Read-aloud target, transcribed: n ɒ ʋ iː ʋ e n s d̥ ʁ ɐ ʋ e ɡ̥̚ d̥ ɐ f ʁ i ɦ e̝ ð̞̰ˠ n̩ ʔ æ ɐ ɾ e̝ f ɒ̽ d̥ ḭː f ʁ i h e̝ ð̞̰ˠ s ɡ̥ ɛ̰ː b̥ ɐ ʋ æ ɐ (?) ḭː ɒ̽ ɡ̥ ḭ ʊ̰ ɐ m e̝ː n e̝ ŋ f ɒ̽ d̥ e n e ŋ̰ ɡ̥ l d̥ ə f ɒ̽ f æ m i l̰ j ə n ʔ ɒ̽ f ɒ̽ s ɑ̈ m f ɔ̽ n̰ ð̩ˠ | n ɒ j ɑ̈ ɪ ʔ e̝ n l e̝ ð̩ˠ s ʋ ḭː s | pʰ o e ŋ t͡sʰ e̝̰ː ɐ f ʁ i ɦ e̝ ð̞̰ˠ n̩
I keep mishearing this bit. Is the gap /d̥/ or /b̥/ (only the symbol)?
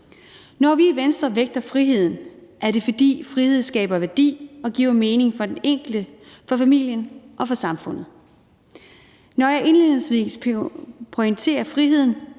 d̥